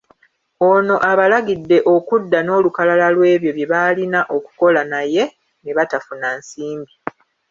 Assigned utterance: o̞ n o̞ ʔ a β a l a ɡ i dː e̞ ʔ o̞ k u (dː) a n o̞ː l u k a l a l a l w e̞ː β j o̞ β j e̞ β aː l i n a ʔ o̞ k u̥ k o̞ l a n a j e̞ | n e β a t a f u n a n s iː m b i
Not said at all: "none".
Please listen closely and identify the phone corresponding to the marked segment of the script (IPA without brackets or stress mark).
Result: dː